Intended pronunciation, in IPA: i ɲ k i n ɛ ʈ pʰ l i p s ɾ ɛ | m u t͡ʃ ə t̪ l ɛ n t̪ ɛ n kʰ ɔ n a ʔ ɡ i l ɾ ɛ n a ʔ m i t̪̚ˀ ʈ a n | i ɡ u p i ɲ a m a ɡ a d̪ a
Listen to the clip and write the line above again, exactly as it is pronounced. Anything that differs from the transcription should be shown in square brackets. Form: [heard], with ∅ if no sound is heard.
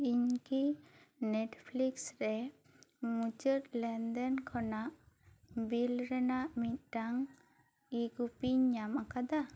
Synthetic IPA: i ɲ k i n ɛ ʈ pʰ l i [k] s ɾ ɛ | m u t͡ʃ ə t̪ l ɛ n [d̪] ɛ n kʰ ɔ n a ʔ [b] i l ɾ ɛ n a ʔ m i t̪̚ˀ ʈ a [ŋ] | i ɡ u p i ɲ a m a [k] a d̪ a